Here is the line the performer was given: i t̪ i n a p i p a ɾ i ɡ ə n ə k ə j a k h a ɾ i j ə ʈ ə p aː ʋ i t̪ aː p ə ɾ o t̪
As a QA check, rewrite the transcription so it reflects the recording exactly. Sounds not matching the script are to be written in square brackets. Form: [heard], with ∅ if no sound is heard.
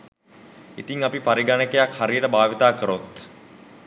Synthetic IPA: i t̪ i [ŋ] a p i p a ɾ i ɡ [a] n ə k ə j a k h a ɾ i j ə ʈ ə [b] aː ʋ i t̪ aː [k] ə ɾ o t̪